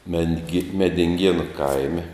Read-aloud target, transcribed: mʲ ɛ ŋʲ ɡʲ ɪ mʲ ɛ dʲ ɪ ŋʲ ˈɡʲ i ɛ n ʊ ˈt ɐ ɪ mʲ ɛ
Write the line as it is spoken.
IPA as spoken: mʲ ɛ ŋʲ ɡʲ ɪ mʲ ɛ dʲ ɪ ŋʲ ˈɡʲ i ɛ n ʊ ˈk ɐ ɪ mʲ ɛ